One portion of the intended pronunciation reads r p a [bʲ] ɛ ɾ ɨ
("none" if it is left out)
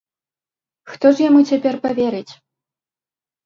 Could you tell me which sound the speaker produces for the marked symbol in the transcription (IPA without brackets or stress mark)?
vʲ